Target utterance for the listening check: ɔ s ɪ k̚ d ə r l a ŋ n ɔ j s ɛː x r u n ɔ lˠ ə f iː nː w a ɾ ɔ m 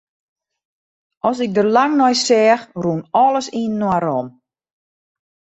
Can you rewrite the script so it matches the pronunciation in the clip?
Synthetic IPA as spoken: ɔ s ɪ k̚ d ə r l a ŋ n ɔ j s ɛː x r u n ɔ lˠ ə s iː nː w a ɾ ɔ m